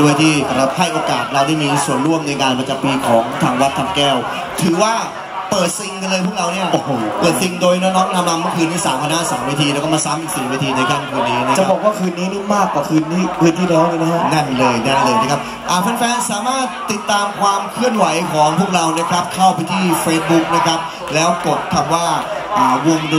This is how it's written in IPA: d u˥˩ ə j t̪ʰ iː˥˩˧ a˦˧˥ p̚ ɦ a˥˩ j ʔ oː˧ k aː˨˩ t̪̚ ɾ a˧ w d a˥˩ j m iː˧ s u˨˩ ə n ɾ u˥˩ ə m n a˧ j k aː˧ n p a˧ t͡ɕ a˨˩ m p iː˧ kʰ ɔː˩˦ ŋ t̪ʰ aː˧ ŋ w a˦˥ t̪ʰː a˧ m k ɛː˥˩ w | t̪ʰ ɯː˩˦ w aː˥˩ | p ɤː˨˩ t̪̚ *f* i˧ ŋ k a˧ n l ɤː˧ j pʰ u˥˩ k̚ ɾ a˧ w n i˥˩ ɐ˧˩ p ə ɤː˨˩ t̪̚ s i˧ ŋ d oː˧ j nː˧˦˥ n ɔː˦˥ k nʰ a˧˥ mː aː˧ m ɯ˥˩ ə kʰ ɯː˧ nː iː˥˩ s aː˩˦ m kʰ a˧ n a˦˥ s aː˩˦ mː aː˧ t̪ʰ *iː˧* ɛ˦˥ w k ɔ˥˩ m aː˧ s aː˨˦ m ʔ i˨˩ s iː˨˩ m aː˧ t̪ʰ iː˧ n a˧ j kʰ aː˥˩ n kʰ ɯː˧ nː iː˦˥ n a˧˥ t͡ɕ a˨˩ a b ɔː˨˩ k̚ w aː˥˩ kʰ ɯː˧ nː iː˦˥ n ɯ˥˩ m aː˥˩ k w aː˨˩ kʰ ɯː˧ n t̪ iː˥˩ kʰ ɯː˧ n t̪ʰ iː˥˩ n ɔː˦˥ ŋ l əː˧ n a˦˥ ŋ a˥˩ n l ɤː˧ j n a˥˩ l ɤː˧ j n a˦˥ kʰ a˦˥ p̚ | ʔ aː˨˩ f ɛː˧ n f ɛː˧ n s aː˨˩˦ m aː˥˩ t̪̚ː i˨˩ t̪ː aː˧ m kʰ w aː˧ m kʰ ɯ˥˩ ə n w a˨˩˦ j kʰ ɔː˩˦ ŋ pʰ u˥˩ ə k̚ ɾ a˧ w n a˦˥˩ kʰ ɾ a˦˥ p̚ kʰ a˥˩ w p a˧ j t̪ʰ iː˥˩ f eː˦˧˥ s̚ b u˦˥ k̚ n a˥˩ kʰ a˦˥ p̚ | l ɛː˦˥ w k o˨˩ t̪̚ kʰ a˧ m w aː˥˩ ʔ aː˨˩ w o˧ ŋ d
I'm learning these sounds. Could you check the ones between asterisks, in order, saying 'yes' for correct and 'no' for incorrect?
no, yes

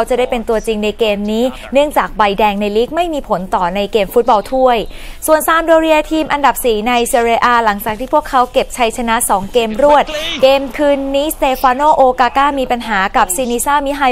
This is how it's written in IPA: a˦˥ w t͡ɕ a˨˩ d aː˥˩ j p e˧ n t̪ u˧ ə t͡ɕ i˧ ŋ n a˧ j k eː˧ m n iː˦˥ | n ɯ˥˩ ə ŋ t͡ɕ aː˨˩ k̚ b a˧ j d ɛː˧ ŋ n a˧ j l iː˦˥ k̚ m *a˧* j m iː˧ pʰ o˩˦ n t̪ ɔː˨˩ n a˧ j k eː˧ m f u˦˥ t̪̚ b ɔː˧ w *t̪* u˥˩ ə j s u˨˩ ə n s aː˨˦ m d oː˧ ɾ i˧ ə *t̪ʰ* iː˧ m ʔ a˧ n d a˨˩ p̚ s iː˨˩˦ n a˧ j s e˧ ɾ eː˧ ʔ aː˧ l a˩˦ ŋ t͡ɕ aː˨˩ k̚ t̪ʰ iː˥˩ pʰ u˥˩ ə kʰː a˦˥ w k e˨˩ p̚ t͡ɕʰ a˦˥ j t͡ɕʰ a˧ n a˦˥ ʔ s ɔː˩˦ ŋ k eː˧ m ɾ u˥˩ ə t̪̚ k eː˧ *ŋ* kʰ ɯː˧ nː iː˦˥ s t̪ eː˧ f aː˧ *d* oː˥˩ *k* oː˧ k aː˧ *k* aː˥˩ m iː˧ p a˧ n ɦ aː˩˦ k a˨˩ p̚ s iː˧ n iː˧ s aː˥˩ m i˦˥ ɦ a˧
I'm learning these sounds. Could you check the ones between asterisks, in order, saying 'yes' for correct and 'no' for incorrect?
no, no, yes, no, no, no, yes

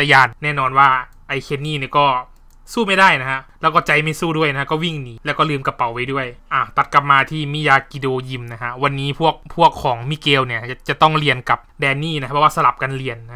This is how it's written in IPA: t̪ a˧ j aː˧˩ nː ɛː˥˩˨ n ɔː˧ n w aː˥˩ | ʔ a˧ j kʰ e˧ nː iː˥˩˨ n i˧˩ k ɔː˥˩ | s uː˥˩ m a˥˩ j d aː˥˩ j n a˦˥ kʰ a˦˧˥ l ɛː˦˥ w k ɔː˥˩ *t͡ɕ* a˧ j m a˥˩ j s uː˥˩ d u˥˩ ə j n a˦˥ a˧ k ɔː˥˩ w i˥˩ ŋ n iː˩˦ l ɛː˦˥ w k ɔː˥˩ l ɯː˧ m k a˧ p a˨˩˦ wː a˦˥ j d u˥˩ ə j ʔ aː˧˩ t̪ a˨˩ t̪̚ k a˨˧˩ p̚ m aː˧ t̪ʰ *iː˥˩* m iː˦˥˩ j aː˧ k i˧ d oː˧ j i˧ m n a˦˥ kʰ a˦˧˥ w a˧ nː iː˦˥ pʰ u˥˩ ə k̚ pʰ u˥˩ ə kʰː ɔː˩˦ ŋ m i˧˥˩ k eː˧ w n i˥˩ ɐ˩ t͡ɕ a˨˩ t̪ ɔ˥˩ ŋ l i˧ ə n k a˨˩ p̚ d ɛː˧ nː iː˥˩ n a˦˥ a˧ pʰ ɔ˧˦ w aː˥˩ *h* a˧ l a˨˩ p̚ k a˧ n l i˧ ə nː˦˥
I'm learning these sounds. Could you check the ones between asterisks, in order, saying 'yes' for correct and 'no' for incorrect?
yes, yes, no

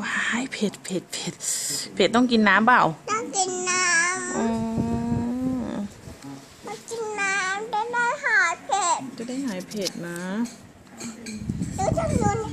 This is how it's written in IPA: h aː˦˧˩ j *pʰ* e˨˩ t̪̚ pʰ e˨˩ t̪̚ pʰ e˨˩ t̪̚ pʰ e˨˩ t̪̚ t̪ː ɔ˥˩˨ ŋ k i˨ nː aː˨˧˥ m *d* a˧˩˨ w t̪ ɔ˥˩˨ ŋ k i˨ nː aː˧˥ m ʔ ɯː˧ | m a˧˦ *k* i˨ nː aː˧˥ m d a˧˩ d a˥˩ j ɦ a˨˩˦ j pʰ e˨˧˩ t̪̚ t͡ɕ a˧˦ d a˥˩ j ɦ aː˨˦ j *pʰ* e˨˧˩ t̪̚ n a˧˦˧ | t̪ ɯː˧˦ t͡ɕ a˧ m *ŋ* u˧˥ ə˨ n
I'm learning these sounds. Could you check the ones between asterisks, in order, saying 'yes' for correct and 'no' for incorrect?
yes, no, yes, yes, no

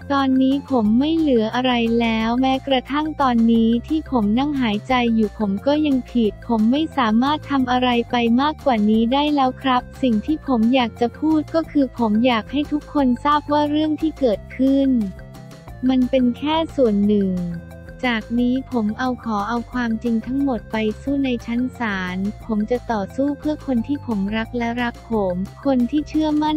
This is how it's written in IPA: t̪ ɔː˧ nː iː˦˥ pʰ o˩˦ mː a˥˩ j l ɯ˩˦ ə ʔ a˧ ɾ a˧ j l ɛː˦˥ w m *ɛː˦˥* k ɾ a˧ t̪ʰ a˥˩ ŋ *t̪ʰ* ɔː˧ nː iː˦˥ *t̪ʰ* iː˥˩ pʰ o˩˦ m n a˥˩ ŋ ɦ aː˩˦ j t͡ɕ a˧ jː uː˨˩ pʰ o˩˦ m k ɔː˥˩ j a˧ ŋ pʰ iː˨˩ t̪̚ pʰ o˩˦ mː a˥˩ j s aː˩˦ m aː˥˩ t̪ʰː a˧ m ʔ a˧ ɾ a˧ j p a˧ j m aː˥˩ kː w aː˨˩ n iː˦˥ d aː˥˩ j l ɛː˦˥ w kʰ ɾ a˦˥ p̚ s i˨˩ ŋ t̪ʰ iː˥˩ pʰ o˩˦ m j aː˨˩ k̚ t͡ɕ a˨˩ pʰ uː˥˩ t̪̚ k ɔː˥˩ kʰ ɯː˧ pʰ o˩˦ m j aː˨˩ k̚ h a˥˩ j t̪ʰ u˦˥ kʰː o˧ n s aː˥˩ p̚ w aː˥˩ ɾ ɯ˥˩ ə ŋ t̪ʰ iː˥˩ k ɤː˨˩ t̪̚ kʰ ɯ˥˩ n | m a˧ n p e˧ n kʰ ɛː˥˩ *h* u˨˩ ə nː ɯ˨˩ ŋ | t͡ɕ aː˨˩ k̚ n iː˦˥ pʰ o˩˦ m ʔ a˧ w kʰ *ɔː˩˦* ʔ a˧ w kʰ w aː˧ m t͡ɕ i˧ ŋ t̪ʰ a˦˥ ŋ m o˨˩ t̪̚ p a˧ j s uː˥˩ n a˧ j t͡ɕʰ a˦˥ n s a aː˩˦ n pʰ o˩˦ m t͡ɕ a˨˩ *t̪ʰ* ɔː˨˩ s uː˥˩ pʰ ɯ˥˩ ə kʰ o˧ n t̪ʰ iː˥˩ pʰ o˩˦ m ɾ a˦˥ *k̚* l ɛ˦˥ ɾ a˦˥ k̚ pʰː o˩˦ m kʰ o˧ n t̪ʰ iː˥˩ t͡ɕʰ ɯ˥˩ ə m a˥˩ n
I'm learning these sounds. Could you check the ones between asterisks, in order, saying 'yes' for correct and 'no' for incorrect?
yes, no, yes, no, yes, no, yes

